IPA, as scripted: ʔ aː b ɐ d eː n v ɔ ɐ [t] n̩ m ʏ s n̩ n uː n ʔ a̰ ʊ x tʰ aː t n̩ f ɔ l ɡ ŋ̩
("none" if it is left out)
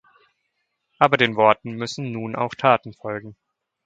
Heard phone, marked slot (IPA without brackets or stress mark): t